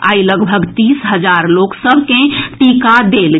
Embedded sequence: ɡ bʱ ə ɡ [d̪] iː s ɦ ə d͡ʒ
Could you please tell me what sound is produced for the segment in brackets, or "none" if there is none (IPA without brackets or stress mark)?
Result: t̪